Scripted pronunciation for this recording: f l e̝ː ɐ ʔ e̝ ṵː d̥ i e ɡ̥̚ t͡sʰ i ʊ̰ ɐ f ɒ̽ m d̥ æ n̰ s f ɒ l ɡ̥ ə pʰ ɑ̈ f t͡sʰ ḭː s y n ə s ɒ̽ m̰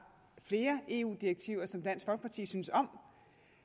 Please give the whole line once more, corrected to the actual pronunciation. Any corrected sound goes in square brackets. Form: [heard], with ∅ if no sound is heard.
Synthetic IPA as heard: f l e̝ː ɐ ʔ e̝ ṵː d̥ i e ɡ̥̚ t͡sʰ i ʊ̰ ɐ [s] ɒ̽ m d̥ æ n̰ s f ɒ l ɡ̥ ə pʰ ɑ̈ [∅] t͡sʰ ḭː s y n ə s ɒ̽ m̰